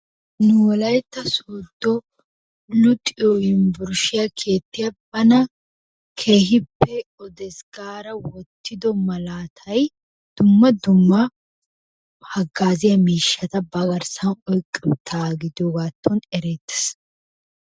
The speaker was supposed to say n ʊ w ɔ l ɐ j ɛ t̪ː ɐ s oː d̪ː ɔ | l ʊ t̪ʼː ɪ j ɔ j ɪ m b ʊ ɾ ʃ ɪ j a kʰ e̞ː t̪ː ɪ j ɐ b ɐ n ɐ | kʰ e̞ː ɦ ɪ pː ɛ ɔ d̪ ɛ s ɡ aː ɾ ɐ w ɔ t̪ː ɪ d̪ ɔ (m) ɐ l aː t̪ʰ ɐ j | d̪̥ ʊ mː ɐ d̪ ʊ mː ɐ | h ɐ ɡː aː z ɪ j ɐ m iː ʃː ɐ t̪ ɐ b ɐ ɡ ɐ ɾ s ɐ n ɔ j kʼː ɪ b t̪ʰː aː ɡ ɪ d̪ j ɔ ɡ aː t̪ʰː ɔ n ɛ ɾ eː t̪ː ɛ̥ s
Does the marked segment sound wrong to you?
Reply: no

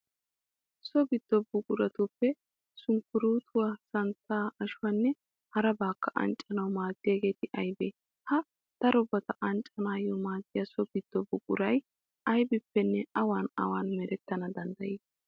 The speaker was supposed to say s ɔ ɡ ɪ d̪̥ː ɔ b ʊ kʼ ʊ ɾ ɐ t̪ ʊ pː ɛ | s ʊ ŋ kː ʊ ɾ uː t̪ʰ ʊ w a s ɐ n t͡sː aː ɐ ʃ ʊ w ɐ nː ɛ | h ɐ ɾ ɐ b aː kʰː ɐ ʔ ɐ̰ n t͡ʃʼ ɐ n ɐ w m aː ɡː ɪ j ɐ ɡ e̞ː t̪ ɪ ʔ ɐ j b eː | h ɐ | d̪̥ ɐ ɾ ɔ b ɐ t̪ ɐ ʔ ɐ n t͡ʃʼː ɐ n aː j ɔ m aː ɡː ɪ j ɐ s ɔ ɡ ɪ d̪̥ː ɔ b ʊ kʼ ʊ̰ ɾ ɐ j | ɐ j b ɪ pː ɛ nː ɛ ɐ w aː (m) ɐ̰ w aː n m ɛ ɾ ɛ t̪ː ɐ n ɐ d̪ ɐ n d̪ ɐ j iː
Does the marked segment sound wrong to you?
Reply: yes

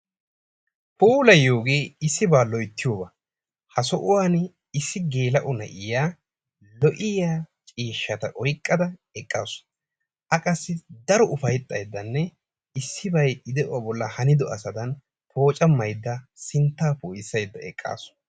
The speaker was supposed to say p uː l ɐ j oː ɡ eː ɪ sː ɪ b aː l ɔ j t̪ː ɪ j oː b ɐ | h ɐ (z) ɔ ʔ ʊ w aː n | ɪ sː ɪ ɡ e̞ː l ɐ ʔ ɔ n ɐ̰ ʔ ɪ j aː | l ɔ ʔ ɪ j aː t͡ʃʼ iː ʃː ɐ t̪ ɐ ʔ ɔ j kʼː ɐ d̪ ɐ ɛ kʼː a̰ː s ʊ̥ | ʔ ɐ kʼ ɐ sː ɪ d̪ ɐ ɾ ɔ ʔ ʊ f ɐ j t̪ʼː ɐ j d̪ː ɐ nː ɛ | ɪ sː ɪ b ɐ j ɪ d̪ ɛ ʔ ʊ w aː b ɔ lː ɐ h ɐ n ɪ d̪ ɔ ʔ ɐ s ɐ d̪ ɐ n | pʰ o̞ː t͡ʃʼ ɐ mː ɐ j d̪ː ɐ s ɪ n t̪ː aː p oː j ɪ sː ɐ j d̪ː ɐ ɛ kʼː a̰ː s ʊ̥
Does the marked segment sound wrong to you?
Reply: yes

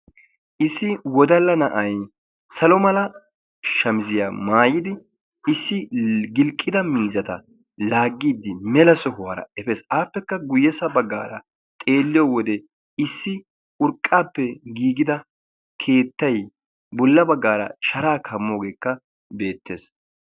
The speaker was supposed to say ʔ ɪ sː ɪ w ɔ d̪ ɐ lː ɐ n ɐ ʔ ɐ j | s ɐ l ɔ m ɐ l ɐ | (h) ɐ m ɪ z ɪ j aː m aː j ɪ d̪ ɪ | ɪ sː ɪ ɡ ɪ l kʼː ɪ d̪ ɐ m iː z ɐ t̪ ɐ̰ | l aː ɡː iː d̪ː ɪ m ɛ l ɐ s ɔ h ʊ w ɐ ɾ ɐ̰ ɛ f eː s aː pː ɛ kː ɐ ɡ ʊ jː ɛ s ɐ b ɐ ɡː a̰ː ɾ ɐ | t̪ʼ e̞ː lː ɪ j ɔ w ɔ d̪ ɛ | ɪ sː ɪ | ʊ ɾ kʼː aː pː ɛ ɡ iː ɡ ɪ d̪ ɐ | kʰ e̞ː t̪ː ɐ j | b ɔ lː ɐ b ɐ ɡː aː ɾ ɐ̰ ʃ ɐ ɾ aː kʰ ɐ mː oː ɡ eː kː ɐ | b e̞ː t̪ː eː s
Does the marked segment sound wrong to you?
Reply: yes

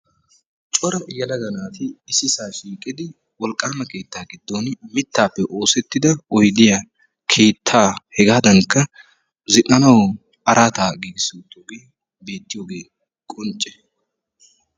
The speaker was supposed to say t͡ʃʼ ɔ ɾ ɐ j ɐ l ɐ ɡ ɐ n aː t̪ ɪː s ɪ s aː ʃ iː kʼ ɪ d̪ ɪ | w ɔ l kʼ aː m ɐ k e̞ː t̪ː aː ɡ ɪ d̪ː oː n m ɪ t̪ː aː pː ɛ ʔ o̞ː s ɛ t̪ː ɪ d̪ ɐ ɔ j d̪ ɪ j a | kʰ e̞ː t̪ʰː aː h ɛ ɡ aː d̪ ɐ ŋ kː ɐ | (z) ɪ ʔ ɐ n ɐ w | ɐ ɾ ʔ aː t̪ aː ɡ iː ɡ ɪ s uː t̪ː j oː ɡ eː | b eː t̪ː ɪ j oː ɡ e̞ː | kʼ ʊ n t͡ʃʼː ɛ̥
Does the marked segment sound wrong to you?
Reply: no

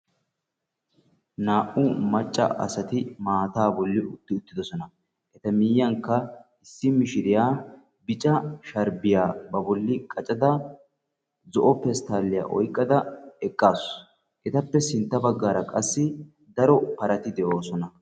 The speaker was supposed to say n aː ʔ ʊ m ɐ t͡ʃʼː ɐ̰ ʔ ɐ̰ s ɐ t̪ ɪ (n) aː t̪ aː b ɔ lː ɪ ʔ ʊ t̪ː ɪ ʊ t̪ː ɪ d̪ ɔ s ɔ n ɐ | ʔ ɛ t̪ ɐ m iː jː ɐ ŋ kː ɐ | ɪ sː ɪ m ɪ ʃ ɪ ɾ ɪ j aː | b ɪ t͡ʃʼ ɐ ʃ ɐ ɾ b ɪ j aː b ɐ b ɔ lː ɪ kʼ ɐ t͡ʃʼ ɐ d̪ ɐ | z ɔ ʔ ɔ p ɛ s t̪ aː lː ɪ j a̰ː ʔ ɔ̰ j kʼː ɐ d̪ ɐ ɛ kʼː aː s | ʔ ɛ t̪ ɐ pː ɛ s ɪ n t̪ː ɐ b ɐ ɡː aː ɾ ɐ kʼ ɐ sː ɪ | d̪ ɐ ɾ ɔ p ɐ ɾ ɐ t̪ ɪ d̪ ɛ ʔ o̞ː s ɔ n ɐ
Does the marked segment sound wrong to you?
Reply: yes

